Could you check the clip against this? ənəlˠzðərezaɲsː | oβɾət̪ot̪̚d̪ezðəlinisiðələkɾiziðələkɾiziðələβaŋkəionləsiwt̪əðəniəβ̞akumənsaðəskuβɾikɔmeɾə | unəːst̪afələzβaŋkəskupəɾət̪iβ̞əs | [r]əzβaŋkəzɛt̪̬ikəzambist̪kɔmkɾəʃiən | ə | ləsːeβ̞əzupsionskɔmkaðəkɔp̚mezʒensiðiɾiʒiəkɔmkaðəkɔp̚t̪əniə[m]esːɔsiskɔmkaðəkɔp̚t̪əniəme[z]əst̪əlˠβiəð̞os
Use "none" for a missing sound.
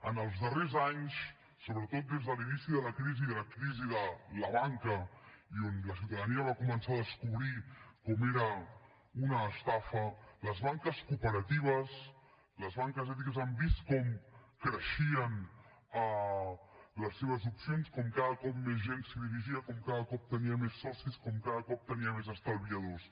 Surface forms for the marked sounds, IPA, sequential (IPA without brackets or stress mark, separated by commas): l, m, z